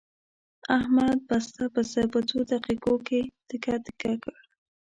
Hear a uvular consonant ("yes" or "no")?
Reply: yes